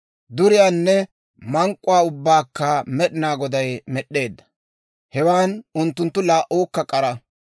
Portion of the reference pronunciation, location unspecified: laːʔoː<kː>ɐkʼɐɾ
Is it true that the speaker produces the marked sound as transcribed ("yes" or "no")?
yes